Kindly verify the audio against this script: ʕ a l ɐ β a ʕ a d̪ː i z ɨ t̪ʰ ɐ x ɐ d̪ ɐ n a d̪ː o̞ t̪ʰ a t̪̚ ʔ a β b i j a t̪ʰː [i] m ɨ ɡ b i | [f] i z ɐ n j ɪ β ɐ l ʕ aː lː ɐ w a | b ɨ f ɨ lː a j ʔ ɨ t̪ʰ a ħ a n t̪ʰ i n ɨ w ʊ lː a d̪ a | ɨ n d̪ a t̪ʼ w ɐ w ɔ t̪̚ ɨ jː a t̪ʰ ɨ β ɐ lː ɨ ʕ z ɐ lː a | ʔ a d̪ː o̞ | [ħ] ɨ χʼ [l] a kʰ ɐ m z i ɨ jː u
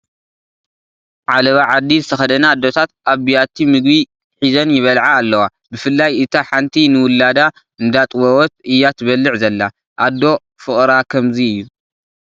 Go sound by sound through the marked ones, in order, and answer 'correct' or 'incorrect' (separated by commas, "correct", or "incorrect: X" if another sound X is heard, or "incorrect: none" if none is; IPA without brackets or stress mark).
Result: correct, incorrect: ħ, incorrect: f, incorrect: ɾ